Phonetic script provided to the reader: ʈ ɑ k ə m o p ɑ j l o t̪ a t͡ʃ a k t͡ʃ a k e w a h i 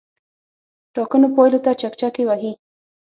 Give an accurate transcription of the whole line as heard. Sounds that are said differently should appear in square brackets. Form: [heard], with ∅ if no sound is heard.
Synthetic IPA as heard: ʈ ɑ k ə [n] o p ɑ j l o t̪ a t͡ʃ a k t͡ʃ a k e w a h i